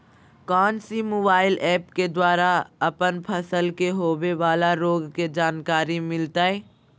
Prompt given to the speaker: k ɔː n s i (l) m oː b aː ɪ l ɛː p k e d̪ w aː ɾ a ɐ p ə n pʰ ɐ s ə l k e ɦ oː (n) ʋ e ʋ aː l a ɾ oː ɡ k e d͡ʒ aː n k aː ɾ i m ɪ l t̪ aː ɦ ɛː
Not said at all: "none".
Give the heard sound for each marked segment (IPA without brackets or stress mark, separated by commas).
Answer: none, none